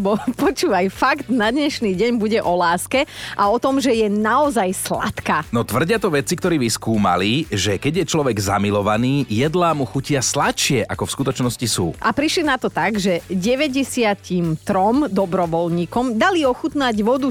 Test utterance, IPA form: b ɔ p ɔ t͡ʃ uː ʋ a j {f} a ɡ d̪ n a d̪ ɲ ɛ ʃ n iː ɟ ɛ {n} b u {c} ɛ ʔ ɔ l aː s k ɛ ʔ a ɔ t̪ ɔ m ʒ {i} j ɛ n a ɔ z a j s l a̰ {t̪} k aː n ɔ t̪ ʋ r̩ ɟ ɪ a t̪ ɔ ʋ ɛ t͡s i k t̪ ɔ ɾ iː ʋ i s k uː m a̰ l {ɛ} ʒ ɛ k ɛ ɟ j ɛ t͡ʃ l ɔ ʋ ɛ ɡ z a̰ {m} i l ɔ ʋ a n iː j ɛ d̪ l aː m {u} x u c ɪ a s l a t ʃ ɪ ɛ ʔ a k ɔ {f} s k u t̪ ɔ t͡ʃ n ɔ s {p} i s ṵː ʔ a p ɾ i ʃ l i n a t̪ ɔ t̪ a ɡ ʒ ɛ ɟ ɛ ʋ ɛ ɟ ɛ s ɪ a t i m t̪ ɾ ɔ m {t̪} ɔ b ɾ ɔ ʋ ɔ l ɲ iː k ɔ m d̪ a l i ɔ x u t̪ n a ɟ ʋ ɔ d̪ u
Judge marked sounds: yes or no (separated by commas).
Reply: yes, no, no, no, yes, no, yes, yes, yes, no, no